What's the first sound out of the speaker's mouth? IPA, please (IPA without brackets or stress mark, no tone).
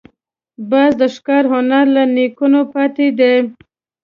b